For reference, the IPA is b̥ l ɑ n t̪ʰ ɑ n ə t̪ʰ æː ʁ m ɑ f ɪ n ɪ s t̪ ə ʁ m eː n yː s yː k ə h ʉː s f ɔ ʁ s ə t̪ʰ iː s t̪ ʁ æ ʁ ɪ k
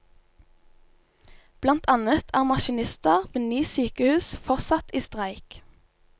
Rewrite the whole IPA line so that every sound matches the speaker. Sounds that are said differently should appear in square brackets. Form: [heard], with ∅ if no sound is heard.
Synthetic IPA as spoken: b̥ l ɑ n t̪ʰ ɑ n ə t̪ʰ æː ʁ m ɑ [ʃ] ɪ n ɪ s t̪ ə ʁ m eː n yː s yː k ə h ʉː s f ɔ ʁ s [ɑ] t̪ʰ iː s t̪ ʁ æ [∅] ɪ k